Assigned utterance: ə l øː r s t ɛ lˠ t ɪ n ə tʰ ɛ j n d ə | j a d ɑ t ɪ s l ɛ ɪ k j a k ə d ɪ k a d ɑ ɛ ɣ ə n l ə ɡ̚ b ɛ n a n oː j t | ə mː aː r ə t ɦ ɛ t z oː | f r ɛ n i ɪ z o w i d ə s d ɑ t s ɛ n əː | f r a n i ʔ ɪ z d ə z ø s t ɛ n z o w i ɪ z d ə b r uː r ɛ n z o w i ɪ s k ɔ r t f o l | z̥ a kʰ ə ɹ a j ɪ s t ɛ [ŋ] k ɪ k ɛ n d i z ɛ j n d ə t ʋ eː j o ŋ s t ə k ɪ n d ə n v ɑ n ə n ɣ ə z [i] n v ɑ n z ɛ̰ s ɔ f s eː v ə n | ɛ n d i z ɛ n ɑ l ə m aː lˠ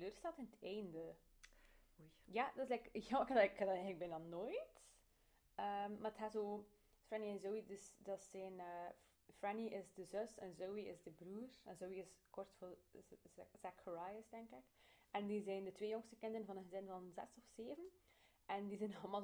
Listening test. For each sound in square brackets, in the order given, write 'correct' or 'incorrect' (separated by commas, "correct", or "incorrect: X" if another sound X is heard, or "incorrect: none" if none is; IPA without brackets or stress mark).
correct, incorrect: ɪ